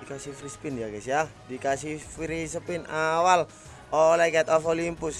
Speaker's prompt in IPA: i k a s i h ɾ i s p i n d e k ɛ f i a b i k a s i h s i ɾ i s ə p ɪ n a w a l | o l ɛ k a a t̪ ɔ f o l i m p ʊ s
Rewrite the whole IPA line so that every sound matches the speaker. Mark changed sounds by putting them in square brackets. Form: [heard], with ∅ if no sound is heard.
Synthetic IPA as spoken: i k a s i [f] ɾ i s p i n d [a] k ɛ [s] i a [d] i k a s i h [f] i ɾ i s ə p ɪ n a w a l | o l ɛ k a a t̪ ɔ f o l i m p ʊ s

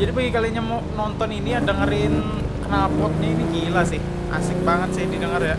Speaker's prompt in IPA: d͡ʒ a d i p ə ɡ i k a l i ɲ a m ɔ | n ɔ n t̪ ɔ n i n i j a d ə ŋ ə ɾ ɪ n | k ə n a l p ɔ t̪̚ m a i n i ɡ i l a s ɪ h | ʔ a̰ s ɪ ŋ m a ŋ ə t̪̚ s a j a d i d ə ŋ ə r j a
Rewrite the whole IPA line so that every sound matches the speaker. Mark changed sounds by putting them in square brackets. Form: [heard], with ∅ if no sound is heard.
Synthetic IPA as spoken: d͡ʒ a d i p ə ɡ i k a l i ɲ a m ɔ | n ɔ n t̪ ɔ n i n i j a d ə ŋ ə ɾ ɪ n | k ə n a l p ɔ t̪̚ [ɲ] a i n i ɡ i l a s ɪ h | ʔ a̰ s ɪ ŋ [b] a ŋ ə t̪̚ s a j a d i d ə ŋ ə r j a

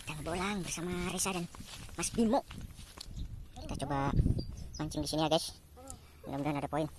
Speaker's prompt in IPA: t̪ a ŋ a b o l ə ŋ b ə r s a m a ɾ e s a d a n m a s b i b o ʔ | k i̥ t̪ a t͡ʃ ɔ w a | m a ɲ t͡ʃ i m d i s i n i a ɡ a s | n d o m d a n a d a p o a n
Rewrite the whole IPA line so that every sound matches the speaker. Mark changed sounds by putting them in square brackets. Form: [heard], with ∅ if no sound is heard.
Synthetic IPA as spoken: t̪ a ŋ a b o l [a] ŋ b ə r s a m a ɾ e s a d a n m a s b i [m] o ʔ | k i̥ t̪ a t͡ʃ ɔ [b] a | m a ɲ t͡ʃ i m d i s i n i a ɡ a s | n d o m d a n a d a p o [i] n

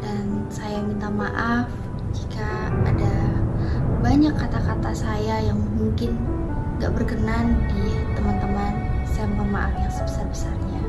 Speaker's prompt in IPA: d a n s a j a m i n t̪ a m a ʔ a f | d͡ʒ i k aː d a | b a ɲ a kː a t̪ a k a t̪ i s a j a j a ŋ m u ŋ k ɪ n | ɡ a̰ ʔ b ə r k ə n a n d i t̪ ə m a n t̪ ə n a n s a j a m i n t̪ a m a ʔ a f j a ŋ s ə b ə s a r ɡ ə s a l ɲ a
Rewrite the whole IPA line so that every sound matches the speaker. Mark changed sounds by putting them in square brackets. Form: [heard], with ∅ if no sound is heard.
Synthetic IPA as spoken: d a n s a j a m i n t̪ a m a ʔ a f | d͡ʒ i k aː d a | b a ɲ a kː a t̪ a k a t̪ [a] s a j a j a ŋ m u ŋ k ɪ n | ɡ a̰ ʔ b ə r k ə n a n d i t̪ ə m a n t̪ ə [m] a n s a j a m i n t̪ a m a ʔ a f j a ŋ s ə b ə s a r [b] ə s a [r] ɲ a

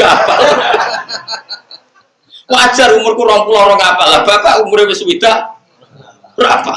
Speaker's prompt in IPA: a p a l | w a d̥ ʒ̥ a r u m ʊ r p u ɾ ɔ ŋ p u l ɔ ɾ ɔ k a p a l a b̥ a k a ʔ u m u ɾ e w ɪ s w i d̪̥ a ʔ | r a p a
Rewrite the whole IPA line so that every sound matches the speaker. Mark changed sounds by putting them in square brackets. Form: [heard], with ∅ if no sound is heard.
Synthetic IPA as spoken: a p a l | w a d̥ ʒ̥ a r u m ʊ r [k] u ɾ ɔ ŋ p u l ɔ ɾ ɔ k a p a l a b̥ a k a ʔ u m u ɾ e w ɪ s w i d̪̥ a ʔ | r a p a

